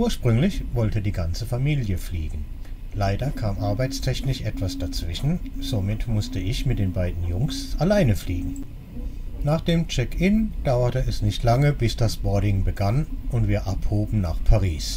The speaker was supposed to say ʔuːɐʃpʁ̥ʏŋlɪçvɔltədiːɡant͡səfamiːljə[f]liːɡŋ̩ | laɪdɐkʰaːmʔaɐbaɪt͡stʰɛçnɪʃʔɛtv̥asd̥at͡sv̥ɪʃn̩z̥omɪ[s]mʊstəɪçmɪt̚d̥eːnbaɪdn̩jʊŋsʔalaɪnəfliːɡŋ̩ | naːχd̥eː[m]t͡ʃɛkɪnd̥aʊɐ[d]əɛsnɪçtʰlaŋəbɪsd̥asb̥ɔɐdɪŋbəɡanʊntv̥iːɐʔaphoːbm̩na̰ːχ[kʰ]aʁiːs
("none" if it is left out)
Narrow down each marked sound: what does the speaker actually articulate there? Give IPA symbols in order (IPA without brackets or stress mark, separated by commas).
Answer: f, t, m, t, pʰ